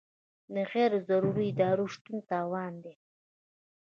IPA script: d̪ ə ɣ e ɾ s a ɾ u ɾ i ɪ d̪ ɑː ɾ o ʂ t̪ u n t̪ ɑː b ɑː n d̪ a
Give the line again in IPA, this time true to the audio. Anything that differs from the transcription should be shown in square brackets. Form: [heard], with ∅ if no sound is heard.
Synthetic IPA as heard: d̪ ə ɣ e ɾ [z] a ɾ u ɾ i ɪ d̪ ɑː ɾ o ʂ t̪ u n t̪ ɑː [w] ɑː n d̪ [e]